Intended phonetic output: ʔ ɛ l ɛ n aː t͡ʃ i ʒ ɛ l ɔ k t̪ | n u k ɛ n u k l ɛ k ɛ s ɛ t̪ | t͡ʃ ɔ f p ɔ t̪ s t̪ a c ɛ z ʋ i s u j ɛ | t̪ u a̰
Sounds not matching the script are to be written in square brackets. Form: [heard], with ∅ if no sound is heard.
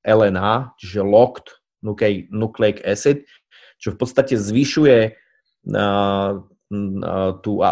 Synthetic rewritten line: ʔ ɛ l ɛ n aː t͡ʃ i ʒ ɛ l ɔ k t̪ | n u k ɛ n u k l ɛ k ɛ s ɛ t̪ | t͡ʃ ɔ f p ɔ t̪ s t̪ a c ɛ z ʋ i [ʃ] u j ɛ | t̪ u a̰